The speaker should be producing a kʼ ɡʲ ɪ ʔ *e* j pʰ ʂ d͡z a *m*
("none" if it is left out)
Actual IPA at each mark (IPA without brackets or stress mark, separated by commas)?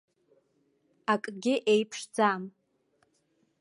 e, m